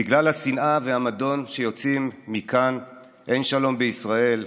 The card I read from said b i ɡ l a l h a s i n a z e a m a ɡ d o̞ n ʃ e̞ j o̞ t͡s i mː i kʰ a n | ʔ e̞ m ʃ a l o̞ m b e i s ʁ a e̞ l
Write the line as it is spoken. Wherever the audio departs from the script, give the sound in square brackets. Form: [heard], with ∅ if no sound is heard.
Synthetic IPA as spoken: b i ɡ l a l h a s i n a [v] e a m a [∅] d o̞ n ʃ e̞ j o̞ t͡s i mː i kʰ a n | ʔ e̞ [n] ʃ a l o̞ m b e i s ʁ a e̞ l